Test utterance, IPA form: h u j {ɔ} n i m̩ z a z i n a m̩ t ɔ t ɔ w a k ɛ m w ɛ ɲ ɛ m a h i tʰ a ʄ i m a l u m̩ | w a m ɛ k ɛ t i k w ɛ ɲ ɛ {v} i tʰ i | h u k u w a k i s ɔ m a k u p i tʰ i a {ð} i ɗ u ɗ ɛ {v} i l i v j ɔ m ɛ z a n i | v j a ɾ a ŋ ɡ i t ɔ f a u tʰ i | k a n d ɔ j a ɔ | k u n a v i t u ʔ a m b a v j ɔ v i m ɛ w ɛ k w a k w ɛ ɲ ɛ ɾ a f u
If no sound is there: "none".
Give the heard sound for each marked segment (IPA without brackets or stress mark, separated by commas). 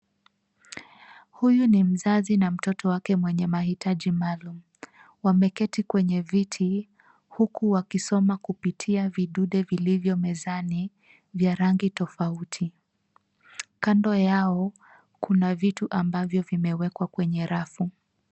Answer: u, v, v, v